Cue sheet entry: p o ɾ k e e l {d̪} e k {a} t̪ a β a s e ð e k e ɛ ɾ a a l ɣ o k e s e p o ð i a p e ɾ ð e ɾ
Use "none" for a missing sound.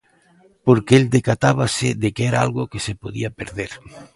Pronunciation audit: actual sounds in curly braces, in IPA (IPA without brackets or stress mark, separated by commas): d̪, a